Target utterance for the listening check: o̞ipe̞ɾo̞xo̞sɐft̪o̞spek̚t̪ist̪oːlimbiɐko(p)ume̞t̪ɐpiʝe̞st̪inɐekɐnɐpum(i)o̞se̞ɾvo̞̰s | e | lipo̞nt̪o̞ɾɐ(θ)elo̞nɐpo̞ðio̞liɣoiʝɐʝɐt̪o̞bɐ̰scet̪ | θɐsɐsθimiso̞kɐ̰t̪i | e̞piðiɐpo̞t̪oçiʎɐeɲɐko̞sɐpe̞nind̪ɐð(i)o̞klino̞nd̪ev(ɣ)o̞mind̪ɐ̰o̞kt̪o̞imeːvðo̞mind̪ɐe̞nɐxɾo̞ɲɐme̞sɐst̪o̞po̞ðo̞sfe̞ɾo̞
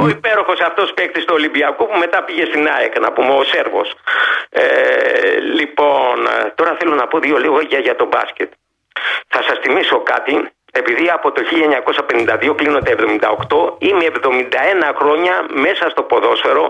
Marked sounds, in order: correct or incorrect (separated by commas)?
correct, incorrect, correct, correct, incorrect